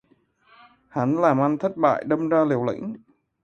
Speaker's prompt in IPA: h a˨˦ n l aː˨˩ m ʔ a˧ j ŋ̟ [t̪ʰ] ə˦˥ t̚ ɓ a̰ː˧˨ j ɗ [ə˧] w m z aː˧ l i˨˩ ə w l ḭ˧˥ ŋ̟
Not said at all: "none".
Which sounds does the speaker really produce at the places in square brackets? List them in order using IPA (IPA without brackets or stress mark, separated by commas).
t̪ʰ, ə˧